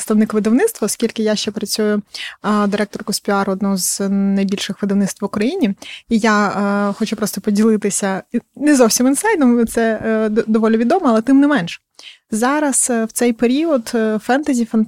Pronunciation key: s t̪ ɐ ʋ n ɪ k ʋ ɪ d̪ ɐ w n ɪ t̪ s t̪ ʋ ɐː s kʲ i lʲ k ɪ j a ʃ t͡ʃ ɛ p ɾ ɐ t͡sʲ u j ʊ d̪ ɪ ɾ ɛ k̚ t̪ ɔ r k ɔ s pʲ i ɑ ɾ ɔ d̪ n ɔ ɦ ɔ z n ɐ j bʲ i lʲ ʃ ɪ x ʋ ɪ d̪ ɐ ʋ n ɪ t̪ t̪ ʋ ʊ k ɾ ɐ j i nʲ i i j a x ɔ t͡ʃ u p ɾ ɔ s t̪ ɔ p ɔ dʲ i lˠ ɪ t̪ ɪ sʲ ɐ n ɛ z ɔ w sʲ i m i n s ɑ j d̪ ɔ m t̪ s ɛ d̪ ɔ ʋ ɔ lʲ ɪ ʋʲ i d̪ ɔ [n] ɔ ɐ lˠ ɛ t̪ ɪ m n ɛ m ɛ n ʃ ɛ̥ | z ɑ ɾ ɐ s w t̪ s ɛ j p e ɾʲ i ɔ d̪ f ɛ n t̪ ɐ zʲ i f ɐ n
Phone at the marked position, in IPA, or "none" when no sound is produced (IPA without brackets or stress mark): m